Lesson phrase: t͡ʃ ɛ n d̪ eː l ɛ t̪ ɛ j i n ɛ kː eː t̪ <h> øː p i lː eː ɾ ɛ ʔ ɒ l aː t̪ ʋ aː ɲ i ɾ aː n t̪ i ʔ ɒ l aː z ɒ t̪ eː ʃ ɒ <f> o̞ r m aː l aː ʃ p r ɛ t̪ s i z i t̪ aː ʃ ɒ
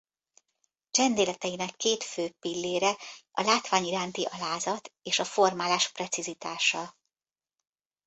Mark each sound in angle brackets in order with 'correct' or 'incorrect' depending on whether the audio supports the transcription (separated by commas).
incorrect, correct